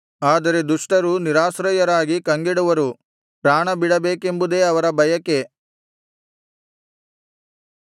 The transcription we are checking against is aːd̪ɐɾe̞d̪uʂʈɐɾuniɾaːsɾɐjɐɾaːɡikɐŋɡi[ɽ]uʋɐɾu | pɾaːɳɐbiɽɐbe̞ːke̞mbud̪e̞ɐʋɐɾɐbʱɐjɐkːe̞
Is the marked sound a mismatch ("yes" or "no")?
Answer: no